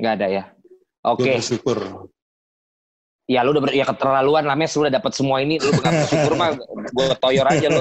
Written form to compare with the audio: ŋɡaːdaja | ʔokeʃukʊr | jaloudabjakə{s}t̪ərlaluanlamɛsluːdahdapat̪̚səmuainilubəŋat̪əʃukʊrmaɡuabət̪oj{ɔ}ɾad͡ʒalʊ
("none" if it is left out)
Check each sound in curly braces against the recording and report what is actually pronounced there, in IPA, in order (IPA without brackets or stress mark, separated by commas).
none, ɔ